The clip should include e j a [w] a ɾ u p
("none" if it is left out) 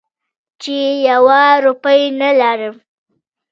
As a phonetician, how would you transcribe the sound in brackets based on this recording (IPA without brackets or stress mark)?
w